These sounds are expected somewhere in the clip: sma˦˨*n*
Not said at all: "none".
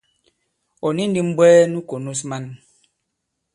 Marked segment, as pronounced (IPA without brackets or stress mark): n